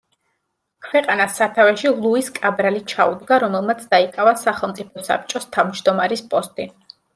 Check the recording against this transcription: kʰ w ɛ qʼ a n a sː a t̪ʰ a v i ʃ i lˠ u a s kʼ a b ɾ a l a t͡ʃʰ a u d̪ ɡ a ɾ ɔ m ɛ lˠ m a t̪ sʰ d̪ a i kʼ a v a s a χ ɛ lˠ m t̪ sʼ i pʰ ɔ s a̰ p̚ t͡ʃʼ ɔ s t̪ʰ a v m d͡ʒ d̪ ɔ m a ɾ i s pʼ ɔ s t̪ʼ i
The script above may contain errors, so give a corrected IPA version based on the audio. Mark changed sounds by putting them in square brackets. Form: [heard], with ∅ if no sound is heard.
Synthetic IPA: kʰ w ɛ qʼ a n a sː a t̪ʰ a v [ɛ] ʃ i lˠ u [i] s kʼ a b ɾ a l [i] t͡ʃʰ a u d̪ ɡ a ɾ ɔ m ɛ lˠ m a t̪ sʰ d̪ a i kʼ a v a s a χ ɛ lˠ m t̪ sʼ i pʰ ɔ s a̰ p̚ t͡ʃʼ ɔ s t̪ʰ a v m d͡ʒ d̪ ɔ m a ɾ i s pʼ ɔ s t̪ʼ i